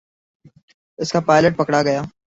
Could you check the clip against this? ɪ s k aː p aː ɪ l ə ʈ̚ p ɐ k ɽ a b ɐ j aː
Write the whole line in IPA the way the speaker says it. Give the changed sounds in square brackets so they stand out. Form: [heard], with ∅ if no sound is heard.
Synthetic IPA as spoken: ɪ s k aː p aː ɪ l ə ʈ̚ p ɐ k ɽ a [ɡ] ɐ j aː

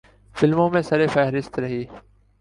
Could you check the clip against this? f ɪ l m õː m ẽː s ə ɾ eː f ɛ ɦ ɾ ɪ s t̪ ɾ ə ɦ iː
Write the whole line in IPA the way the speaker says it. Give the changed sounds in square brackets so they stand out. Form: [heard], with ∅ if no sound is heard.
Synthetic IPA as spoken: f ɪ l m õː m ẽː s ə ɾ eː f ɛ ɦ ɾ ɪ s t̪ ɾ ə ɦ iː

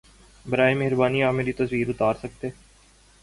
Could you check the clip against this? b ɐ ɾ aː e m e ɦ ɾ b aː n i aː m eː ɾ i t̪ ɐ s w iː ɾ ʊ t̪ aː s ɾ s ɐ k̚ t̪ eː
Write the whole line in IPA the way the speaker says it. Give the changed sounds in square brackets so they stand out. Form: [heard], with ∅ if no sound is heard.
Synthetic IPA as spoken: b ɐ ɾ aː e m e ɦ ɾ b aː n i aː m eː ɾ i t̪ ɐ s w iː ɾ ʊ t̪ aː [∅] ɾ s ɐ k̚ t̪ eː

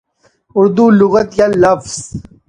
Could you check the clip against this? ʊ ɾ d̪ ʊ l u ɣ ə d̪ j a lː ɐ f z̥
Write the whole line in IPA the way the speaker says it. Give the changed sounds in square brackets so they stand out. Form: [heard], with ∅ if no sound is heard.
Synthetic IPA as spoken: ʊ ɾ d̪ [u] l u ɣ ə [t̪] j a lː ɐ f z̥

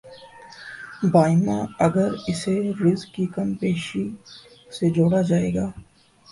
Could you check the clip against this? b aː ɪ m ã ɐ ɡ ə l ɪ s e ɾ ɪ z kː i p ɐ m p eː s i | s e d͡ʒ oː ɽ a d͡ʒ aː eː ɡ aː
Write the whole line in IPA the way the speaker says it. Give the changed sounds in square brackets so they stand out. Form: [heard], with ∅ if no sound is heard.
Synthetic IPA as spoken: b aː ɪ m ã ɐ ɡ ə [ɾ] ɪ s e ɾ ɪ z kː i [k] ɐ m p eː [ʃ] i | s e d͡ʒ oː ɽ a d͡ʒ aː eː ɡ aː

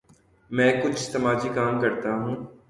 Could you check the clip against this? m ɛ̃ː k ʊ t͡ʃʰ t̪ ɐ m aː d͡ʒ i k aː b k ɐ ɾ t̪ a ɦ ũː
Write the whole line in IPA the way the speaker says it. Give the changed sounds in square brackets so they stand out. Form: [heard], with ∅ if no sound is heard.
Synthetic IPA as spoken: m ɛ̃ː k ʊ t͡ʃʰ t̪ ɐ m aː d͡ʒ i k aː [m] k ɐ ɾ t̪ a ɦ ũː

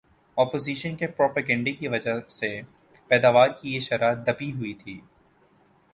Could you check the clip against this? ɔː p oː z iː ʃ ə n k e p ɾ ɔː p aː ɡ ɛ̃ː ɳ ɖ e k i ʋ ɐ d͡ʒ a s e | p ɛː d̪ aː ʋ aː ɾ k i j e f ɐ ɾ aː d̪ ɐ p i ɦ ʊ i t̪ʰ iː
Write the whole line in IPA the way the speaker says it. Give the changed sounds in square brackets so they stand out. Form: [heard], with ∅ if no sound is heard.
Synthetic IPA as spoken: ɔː p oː z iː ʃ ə n k e p ɾ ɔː p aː ɡ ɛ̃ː ɳ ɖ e k i ʋ ɐ d͡ʒ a s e | p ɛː d̪ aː ʋ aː ɾ k i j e [ʃ] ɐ ɾ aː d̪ ɐ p i ɦ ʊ i t̪ʰ iː

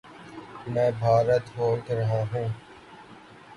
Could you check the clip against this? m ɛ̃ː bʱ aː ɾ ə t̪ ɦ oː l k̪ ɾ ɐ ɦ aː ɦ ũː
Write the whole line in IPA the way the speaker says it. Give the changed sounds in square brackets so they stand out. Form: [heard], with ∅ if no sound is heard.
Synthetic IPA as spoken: m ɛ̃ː bʱ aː ɾ ə t̪ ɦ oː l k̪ ɾ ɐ ɦ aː ɦ ũː

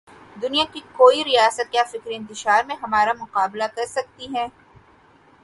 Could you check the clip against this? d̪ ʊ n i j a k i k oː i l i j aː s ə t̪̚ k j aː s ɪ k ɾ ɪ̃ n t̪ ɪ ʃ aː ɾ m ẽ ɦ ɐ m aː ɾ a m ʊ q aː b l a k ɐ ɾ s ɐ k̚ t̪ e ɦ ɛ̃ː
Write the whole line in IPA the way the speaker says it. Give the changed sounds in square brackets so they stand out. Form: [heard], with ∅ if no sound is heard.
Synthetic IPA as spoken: d̪ ʊ n i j a k i k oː i [ɾ] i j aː s ə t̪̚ k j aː [f] ɪ k ɾ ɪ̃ n t̪ ɪ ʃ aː ɾ m ẽ ɦ ɐ m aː ɾ a m ʊ q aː b l a k ɐ ɾ s ɐ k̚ t̪ [i] ɦ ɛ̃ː

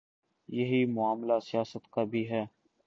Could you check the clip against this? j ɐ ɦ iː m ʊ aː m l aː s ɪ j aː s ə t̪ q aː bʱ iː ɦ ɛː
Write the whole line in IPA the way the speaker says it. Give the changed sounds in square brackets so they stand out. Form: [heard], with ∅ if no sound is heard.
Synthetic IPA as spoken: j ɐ ɦ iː m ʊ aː m l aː s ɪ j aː s ə t̪ [k] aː bʱ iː ɦ ɛː

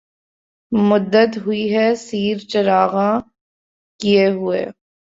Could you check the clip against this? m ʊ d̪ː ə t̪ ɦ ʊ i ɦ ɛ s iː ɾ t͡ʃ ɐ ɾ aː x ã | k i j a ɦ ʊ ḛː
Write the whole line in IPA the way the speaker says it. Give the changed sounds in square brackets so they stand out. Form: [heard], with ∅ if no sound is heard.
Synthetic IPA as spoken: m ʊ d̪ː ə t̪ ɦ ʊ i ɦ ɛ s iː ɾ t͡ʃ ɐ ɾ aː [ɣ] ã | k i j [e] ɦ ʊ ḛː

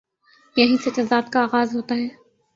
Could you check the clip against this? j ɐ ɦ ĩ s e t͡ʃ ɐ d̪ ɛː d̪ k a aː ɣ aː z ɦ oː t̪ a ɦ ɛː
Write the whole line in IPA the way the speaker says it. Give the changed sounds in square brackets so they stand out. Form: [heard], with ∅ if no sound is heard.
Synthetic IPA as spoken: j ɐ ɦ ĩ s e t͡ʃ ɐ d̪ [aː] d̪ k a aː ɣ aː z ɦ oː t̪ a ɦ ɛː

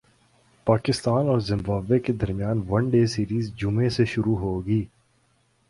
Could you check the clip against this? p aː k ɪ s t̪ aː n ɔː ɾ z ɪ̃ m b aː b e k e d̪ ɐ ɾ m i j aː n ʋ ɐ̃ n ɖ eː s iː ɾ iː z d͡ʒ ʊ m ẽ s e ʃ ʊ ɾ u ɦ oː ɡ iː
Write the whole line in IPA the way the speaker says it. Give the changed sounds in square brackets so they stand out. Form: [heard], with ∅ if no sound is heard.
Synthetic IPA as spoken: p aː k ɪ s t̪ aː n ɔː ɾ z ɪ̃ m b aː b e k e d̪ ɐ ɾ m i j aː n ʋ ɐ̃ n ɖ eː s iː ɾ iː z d͡ʒ ʊ m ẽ s e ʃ ʊ ɾ u ɦ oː ɡ iː

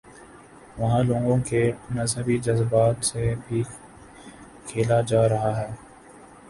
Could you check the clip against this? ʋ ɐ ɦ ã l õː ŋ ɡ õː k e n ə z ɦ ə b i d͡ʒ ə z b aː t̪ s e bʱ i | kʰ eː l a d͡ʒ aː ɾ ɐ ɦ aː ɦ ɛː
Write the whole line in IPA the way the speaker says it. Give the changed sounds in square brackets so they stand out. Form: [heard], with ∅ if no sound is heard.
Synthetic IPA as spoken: ʋ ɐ ɦ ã l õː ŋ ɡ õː k e n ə z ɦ ə b i d͡ʒ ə z b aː t̪ s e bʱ i | kʰ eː l a d͡ʒ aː ɾ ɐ ɦ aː ɦ ɛː

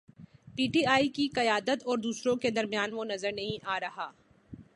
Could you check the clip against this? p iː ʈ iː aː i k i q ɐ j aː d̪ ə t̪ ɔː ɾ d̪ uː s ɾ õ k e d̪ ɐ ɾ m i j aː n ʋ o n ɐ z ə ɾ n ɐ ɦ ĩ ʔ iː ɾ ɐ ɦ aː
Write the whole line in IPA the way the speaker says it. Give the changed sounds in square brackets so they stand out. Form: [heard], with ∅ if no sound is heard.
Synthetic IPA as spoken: p iː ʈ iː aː i k i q ɐ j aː d̪ ə t̪ ɔː ɾ d̪ uː s ɾ õ k e d̪ ɐ ɾ m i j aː n ʋ o n ɐ z ə ɾ n ɐ ɦ ĩ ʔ [aː] ɾ ɐ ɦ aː

